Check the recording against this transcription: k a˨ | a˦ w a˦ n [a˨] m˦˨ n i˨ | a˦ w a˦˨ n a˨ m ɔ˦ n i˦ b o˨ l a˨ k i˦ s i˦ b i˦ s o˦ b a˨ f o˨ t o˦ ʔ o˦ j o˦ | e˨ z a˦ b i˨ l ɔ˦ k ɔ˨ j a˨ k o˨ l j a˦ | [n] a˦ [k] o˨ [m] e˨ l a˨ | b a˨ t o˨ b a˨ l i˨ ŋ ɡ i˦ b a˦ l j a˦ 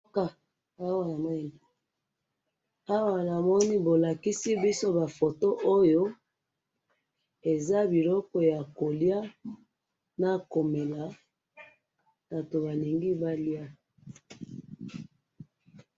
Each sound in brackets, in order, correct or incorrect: correct, correct, correct, correct

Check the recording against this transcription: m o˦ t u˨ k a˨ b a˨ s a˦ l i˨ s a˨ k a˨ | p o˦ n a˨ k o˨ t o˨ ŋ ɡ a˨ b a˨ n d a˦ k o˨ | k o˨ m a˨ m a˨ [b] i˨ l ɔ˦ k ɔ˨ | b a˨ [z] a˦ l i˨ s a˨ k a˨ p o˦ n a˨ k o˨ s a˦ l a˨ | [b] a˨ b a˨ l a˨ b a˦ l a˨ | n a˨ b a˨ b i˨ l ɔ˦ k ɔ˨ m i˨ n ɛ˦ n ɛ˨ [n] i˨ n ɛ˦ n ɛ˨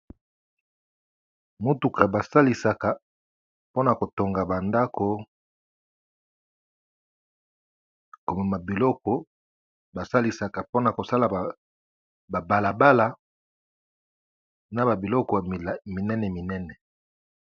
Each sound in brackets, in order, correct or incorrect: correct, incorrect, correct, incorrect

